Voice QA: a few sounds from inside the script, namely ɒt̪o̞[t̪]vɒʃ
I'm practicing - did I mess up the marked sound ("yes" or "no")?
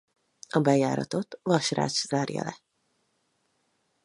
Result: no